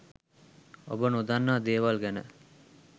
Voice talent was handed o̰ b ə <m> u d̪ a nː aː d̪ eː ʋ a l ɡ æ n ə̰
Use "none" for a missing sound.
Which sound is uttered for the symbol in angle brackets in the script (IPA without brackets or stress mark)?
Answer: n